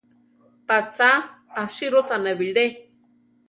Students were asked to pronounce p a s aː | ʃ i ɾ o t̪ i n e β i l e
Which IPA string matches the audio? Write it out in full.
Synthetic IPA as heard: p a t͡s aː | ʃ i ɾ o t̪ a n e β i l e